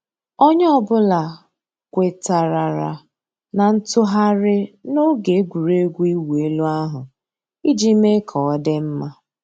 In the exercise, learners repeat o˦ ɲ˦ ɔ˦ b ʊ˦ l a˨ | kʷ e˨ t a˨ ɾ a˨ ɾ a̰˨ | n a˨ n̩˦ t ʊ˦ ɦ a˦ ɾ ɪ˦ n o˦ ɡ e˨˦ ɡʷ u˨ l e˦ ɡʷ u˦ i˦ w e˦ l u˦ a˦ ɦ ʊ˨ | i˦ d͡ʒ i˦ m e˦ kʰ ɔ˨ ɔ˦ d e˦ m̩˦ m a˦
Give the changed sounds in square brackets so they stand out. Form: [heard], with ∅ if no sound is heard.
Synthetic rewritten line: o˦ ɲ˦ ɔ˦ b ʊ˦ l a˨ | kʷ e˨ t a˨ ɾ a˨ ɾ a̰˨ | n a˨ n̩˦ t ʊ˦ ɦ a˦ ɾ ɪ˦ n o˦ ɡ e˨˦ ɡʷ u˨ [ɾ] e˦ ɡʷ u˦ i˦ w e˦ l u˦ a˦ ɦ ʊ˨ | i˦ d͡ʒ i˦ m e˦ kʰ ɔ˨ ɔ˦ d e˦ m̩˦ m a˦

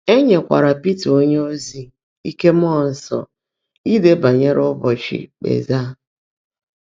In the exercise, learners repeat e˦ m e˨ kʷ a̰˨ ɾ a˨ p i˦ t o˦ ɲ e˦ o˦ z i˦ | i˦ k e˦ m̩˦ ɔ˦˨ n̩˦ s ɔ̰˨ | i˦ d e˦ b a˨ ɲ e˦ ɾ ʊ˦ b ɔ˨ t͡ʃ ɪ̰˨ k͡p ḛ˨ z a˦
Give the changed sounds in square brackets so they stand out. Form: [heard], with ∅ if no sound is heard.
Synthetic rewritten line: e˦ [ɲ] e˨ kʷ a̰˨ ɾ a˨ p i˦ t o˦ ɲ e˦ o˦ z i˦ | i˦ k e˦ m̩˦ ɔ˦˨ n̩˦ s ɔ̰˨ | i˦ d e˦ b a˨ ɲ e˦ ɾ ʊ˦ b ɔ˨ t͡ʃ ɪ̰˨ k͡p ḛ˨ z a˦

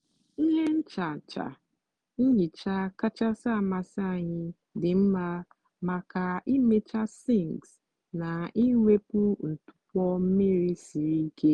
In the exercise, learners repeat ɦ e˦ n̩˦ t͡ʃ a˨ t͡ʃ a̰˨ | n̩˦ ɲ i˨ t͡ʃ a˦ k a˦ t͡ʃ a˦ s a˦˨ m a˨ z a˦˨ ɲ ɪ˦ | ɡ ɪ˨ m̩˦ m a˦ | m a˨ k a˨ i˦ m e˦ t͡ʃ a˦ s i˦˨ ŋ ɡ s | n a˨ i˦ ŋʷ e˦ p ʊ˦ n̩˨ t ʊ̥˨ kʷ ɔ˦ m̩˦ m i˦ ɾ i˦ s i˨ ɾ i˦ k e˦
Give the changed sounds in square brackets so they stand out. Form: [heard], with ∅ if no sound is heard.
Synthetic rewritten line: ɦ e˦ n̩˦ t͡ʃ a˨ t͡ʃ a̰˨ | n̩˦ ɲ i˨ t͡ʃ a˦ k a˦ t͡ʃ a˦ s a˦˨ m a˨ [s] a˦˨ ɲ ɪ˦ | [d] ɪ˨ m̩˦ m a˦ | m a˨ k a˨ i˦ m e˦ t͡ʃ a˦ s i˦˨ ŋ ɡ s | n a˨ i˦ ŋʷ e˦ p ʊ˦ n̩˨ t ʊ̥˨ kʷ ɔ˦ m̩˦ m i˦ ɾ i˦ s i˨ ɾ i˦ k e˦

